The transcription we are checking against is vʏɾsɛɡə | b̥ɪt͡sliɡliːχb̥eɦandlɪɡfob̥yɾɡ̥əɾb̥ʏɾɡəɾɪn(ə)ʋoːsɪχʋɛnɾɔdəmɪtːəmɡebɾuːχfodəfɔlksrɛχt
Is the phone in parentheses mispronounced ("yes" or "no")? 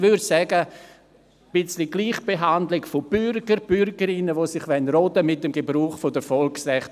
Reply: no